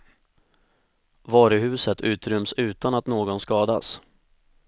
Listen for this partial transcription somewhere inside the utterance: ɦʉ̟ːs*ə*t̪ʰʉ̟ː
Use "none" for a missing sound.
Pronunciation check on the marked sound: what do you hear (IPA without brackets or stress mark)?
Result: ə